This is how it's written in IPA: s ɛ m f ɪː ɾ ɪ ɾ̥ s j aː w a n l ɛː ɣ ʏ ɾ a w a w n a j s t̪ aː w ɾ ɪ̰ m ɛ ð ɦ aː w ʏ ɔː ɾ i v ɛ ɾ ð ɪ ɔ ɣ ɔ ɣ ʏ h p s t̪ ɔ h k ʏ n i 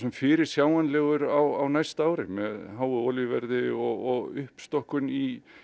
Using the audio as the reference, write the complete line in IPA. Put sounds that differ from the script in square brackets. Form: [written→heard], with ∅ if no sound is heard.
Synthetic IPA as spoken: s ɛ m f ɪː ɾ ɪ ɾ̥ s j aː w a n l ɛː ɣ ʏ ɾ a w a w n a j s t̪ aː w ɾ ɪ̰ m ɛ ð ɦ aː w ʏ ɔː [ɾ→l] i v ɛ ɾ ð ɪ ɔ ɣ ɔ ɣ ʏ h p s t̪ ɔ h k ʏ n i